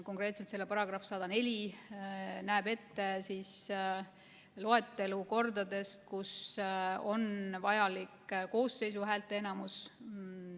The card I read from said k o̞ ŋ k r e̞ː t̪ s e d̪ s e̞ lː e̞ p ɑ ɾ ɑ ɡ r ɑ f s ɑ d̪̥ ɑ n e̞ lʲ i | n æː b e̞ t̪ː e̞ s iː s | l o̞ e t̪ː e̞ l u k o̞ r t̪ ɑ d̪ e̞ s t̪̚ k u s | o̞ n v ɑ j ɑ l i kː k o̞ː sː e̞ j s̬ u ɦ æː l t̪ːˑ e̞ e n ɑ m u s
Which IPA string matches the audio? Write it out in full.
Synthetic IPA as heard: k o̞ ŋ k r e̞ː t̪ s e t̪ s e̞ lː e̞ p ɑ ɾ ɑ ɡ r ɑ f s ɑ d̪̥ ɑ n e̞ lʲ i | n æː b e̞ t̪ː e̞ s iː s | l o̞ e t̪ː e̞ l u k o̞ r d̪ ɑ d̪ e̞ s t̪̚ k u s | o̞ n v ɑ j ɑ l i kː k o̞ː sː e̞ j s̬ u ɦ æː l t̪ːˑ e̞ e n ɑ m u s